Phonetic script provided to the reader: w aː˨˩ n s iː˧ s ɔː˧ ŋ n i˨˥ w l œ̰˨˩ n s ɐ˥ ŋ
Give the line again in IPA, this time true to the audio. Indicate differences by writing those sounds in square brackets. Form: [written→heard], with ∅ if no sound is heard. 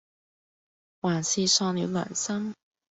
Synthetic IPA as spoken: w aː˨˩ n s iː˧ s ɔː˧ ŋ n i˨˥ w l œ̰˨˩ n s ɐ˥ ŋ